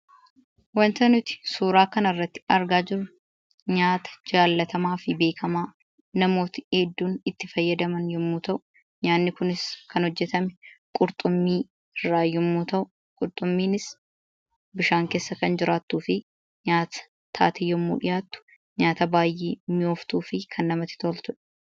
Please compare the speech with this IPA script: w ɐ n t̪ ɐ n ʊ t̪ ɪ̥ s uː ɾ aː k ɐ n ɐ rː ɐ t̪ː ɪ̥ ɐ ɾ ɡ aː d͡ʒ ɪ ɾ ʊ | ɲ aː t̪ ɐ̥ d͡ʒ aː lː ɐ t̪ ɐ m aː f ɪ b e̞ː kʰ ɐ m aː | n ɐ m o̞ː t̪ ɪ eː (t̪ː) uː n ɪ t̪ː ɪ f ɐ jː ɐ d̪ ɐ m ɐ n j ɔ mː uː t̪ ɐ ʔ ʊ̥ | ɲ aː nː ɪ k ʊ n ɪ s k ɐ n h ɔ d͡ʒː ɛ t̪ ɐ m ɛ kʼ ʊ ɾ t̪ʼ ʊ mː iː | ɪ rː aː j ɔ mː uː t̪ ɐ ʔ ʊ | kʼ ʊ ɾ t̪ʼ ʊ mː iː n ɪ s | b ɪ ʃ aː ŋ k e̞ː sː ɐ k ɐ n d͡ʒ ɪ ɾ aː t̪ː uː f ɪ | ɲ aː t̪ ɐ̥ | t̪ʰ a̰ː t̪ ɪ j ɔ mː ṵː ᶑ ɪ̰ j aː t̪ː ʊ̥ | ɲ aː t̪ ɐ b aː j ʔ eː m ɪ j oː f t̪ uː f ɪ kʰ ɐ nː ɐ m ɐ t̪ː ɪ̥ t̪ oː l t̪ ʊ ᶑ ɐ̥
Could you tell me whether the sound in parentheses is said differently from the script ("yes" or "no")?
yes